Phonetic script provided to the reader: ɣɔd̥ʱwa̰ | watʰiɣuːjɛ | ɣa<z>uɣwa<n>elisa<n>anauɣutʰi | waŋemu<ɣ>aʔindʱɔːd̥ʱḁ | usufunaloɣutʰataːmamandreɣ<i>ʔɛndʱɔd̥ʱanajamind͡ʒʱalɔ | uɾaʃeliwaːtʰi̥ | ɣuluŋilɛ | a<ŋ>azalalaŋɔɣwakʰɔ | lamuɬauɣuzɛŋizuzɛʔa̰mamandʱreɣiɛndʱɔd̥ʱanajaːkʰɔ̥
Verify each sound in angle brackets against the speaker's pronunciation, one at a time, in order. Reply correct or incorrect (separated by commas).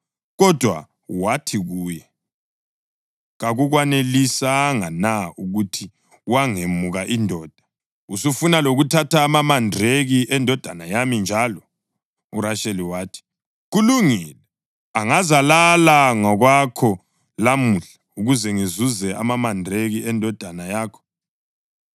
incorrect, correct, incorrect, correct, correct, correct